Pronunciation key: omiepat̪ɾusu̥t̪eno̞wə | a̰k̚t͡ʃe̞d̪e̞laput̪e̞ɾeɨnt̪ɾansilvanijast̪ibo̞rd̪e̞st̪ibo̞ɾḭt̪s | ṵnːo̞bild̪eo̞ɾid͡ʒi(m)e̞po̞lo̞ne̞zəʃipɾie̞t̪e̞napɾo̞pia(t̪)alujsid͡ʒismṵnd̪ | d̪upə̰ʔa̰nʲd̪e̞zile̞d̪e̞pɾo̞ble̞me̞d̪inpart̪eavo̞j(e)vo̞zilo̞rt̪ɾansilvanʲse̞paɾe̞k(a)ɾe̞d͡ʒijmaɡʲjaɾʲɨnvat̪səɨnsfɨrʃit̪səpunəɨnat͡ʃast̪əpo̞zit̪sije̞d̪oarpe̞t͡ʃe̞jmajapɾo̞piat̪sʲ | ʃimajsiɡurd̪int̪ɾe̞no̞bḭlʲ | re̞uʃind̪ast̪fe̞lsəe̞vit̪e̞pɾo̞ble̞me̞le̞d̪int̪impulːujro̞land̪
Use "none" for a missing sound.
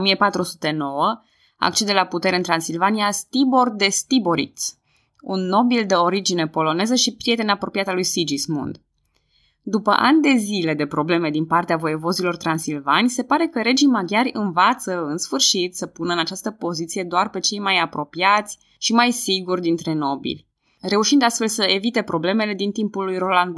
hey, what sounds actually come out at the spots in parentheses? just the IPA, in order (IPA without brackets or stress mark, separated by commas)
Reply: n, t̪, e, ə